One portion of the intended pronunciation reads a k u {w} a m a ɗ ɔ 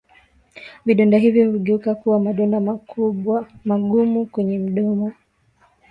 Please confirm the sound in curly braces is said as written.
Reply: yes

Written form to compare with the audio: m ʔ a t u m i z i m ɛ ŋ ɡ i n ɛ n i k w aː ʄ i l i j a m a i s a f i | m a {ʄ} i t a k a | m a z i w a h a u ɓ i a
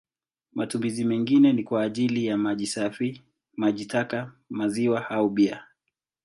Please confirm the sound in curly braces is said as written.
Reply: yes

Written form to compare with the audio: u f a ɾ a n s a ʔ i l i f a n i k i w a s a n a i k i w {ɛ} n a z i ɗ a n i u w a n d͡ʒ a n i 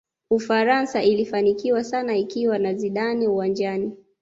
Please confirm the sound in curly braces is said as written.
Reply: no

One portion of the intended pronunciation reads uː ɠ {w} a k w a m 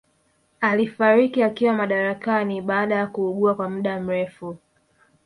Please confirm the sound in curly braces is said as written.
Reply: no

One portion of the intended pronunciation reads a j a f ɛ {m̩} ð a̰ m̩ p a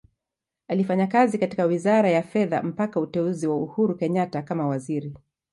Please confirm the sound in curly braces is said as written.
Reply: no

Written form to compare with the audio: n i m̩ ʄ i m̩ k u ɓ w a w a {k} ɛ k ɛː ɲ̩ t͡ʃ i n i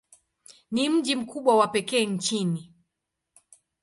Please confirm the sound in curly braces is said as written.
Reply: no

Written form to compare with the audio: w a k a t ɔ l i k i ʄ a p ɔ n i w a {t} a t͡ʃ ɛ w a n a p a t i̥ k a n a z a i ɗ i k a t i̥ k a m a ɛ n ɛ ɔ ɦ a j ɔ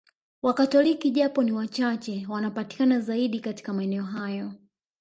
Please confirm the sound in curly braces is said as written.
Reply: no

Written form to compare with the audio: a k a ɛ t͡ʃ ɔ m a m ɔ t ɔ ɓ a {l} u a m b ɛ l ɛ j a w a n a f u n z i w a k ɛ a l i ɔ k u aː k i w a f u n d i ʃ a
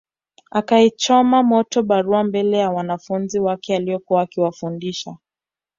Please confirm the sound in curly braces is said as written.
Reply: no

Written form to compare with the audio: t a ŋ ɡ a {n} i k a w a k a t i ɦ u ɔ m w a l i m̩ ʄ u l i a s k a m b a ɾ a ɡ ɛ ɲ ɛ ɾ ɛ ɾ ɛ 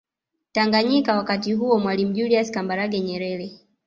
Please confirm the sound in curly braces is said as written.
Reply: no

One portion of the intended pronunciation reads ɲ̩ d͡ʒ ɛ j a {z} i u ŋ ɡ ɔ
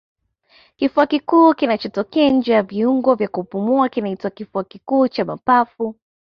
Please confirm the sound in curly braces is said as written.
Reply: no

